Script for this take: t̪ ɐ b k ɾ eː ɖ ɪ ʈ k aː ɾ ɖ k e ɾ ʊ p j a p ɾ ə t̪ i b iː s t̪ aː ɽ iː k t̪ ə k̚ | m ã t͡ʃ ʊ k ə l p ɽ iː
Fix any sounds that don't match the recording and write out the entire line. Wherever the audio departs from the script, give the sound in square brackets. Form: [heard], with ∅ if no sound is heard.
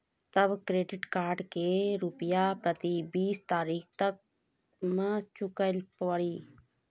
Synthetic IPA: t̪ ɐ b k ɾ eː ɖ ɪ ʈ k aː ɾ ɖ k e ɾ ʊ p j a p ɾ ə t̪ i b iː s t̪ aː [ɾ] iː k t̪ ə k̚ | m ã t͡ʃ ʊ k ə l p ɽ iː